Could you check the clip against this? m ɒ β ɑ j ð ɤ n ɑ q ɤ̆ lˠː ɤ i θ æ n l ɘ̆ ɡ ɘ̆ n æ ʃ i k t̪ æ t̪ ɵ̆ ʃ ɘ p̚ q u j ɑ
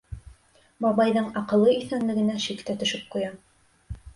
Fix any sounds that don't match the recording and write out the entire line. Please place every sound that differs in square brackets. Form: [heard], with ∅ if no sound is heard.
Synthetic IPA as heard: m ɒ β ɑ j ð ɤ [ɴ] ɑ q ɤ̆ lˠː ɤ i θ æ n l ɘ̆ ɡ ɘ̆ n æ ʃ i k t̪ æ t̪ ɵ̆ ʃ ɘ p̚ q u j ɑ